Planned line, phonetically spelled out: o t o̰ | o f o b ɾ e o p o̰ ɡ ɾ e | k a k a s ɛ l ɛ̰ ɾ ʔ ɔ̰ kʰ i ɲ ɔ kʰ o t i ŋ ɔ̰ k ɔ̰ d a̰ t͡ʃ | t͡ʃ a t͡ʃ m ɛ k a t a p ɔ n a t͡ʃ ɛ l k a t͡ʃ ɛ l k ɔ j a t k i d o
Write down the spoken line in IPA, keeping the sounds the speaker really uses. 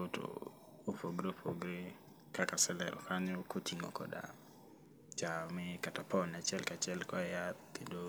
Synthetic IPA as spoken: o t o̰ | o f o ɡ ɾ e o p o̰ ɡ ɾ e | k a k a s ɛ l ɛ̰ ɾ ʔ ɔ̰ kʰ a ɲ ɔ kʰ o t i ŋ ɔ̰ k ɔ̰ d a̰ | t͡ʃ a m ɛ k a t a p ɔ n a t͡ʃ ɛ l k a t͡ʃ ɛ l k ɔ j a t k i d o